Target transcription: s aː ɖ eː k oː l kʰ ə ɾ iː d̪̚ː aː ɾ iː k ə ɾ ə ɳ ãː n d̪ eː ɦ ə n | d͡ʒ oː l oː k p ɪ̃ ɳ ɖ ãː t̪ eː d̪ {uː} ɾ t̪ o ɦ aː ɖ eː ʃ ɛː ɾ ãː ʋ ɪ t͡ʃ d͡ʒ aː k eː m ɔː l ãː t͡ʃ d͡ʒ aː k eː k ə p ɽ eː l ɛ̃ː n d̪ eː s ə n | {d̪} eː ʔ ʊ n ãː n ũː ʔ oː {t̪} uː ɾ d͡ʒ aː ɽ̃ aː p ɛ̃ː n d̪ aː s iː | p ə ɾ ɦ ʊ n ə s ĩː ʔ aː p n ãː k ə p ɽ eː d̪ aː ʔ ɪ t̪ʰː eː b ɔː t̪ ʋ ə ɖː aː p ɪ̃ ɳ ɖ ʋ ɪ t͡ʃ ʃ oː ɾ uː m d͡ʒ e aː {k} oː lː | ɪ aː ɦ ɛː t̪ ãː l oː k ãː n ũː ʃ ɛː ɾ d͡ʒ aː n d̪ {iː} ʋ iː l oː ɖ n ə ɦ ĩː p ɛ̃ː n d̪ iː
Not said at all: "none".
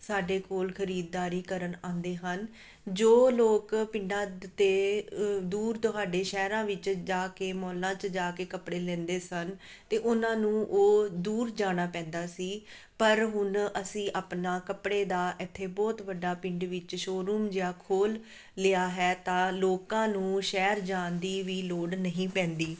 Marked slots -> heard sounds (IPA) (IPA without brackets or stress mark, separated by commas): uː, t̪, d̪, kʰ, iː